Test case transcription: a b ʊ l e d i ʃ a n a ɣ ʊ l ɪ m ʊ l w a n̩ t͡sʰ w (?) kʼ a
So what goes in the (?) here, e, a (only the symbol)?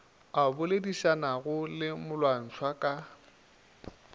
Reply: a